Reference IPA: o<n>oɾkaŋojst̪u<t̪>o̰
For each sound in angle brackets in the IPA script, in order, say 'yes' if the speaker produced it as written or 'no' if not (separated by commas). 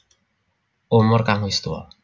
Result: no, no